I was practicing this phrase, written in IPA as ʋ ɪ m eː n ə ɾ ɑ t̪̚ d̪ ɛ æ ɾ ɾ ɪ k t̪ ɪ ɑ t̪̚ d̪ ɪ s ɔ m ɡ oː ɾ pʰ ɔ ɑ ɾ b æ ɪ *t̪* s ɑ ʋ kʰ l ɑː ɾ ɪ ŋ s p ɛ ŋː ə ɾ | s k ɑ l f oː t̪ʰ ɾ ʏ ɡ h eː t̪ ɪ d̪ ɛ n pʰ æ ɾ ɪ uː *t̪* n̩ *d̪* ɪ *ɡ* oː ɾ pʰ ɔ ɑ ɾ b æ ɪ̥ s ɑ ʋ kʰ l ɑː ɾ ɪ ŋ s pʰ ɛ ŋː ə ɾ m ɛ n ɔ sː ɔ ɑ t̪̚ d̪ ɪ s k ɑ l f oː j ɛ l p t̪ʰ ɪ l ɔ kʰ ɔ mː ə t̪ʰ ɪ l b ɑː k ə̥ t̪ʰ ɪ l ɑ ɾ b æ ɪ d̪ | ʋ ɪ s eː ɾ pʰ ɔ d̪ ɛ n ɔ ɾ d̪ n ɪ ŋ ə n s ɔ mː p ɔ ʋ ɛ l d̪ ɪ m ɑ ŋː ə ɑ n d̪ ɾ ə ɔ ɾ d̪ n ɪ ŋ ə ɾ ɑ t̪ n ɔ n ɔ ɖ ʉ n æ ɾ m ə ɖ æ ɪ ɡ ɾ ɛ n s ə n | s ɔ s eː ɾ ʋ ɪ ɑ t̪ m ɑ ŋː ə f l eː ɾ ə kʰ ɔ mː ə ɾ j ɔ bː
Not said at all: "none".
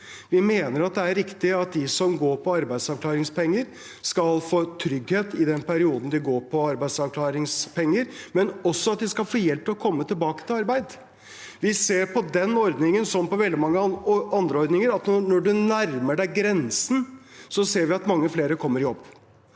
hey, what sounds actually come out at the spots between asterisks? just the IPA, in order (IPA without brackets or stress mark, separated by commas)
d̪, d̪, d̪, ɡ